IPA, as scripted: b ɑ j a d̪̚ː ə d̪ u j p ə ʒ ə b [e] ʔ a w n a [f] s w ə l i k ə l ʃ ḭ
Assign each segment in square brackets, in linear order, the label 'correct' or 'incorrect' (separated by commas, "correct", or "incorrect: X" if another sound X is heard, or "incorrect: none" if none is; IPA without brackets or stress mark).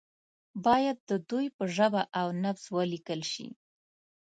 incorrect: a, correct